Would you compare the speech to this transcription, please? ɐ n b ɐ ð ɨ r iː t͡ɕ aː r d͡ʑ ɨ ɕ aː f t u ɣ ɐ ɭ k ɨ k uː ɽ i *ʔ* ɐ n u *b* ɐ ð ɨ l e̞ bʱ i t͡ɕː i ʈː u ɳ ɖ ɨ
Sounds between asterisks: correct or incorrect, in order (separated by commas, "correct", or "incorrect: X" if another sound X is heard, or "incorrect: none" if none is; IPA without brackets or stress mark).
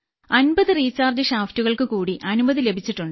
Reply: correct, correct